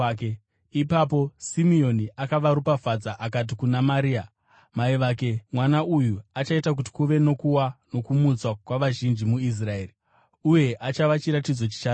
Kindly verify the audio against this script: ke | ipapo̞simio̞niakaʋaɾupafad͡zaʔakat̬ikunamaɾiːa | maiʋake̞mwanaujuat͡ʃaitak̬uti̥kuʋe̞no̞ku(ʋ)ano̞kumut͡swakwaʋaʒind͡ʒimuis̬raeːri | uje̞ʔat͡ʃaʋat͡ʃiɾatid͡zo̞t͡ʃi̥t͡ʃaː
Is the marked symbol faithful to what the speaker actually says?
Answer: no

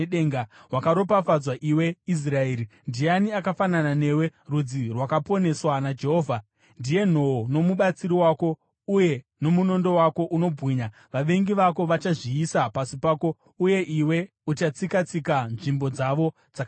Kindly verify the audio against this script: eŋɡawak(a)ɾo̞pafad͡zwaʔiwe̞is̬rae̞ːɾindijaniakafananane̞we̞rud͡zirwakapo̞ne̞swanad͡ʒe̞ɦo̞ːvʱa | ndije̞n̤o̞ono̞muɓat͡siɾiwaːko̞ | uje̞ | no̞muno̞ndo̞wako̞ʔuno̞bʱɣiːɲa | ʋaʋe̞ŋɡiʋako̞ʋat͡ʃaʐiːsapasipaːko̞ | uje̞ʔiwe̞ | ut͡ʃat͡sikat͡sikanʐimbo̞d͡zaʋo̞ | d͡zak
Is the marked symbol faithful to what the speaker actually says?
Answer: yes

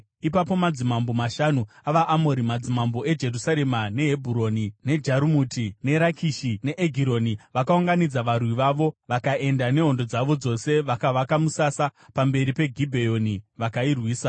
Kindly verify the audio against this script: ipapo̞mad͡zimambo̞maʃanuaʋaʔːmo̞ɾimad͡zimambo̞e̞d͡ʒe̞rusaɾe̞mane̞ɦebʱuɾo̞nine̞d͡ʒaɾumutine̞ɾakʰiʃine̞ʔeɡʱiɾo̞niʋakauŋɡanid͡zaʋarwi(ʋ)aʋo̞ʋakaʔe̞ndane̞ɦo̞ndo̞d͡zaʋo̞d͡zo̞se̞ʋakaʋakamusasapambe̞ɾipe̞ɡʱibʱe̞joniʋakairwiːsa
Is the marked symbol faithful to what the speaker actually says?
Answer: yes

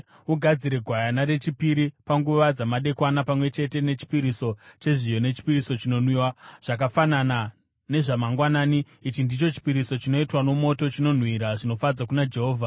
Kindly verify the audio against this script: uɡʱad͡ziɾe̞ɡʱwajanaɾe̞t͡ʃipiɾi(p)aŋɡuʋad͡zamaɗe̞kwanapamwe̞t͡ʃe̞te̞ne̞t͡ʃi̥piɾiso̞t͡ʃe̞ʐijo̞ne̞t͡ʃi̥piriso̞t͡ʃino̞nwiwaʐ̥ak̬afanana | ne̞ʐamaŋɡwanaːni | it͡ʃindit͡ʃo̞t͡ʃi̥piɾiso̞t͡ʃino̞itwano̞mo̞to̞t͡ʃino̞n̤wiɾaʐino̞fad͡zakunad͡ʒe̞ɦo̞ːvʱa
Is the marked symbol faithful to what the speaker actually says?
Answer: yes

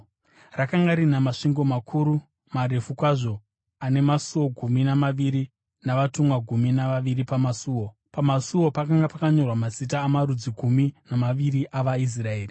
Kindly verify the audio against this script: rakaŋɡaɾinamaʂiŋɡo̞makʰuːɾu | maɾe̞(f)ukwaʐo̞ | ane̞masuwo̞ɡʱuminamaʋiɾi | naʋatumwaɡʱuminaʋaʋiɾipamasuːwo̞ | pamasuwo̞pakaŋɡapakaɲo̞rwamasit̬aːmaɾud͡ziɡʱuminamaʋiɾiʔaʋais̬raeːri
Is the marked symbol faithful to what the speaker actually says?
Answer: yes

